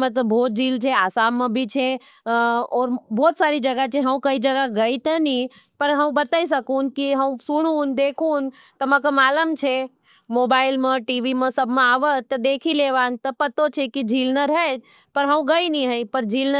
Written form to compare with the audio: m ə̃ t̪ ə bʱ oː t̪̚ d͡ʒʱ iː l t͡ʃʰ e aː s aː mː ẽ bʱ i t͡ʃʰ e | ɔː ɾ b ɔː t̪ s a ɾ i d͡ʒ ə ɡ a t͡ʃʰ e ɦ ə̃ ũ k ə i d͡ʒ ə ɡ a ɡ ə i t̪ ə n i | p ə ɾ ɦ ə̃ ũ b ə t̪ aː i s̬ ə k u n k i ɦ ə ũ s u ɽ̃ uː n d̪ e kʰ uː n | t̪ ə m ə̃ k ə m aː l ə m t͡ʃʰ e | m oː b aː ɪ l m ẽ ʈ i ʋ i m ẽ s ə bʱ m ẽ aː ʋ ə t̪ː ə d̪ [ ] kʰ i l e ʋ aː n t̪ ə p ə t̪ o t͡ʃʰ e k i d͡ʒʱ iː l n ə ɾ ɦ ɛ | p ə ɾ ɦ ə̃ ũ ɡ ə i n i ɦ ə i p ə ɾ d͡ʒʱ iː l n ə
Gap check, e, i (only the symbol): e